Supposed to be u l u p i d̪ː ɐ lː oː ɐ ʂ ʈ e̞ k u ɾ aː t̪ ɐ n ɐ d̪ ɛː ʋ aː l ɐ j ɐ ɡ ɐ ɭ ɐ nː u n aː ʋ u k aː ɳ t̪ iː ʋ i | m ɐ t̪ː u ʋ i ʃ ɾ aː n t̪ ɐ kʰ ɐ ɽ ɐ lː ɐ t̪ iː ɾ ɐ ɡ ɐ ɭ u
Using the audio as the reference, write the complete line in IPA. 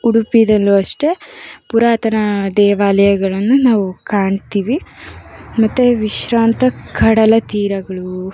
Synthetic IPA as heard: u ɽ u p i d̪ ɐ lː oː ɐ ʂ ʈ e̞ p u ɾ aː t̪ ɐ n ɐ d̪ ɛː ʋ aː l ɐ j ɐ ɡ ɐ ɭ ɐ nː u n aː ʋ u k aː ɳ t̪ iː ʋ i | m ɐ t̪ː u ʋ i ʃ ɾ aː n t̪ ɐ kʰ ɐ ɽ ɐ l ɐ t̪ iː ɾ ɐ ɡ ɐ ɭ u